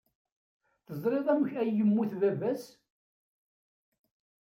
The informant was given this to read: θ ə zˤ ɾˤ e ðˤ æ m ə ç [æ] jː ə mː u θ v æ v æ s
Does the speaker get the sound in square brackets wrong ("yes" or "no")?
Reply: no